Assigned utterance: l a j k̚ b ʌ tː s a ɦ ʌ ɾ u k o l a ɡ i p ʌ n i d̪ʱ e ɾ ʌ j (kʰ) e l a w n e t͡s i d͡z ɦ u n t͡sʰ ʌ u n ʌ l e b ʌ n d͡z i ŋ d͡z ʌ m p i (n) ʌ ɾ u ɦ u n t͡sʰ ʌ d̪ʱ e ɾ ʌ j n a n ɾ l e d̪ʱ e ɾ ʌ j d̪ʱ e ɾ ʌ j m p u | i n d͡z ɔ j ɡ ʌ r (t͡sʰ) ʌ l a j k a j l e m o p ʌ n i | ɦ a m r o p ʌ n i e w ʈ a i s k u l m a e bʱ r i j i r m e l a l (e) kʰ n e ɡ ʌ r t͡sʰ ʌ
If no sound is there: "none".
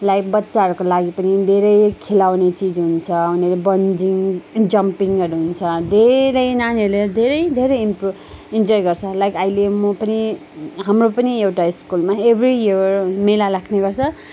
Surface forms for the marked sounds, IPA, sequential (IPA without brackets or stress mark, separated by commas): kʰ, ŋ, t͡sʰ, a